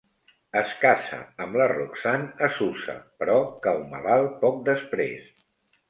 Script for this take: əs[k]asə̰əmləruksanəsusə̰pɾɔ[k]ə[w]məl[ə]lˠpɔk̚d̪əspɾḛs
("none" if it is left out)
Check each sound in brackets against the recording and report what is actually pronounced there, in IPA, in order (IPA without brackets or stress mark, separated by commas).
k, k, w, a